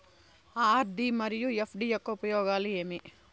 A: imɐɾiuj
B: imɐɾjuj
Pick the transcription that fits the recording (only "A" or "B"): B